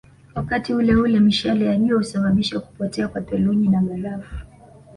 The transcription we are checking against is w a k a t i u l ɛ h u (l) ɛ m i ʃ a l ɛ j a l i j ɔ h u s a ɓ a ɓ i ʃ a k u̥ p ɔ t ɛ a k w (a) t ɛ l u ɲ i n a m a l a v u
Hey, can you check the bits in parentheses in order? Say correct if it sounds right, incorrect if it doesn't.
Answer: correct, correct

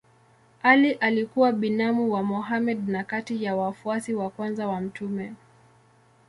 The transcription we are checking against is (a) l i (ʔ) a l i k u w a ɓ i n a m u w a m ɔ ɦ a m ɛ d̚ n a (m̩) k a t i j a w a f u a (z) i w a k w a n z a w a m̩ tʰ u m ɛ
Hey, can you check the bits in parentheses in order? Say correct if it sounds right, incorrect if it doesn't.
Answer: correct, correct, incorrect: none, incorrect: s

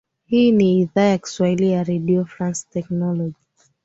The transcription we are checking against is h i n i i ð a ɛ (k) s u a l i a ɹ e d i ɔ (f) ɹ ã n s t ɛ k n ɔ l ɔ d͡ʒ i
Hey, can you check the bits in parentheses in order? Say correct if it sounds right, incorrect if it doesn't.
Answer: correct, correct

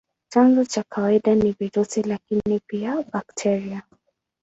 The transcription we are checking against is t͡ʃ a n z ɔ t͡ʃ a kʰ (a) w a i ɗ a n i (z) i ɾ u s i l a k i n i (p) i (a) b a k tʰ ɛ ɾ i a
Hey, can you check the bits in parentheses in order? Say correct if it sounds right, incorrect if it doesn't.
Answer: correct, incorrect: v, correct, correct

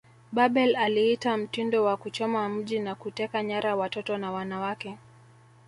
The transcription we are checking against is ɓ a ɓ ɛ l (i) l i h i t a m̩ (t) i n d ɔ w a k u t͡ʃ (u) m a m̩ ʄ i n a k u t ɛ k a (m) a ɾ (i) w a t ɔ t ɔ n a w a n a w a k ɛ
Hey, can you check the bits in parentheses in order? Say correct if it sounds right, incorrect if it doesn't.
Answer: incorrect: a, correct, incorrect: ɔ, incorrect: ɲ, incorrect: a

